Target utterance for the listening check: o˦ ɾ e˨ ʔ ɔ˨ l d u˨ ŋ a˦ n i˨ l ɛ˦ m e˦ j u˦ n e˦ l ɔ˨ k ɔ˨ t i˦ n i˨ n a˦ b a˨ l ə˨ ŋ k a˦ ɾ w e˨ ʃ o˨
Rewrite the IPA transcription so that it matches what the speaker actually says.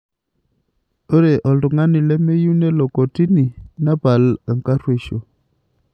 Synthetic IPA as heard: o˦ ɾ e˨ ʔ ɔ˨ l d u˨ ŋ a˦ n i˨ l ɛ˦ m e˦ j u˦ n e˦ l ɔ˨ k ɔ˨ t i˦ n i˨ n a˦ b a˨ l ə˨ ŋ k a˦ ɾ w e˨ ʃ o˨